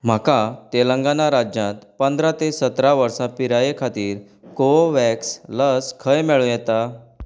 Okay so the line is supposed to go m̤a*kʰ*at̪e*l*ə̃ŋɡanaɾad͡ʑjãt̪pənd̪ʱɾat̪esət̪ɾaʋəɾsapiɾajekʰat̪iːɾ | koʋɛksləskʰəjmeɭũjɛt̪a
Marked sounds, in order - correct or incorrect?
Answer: incorrect: k, correct

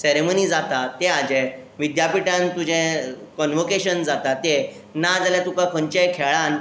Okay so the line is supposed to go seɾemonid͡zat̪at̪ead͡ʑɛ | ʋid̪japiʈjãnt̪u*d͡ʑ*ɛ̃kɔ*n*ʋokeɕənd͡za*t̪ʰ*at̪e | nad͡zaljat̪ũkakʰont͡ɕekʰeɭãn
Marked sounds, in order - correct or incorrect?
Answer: correct, correct, incorrect: t̪

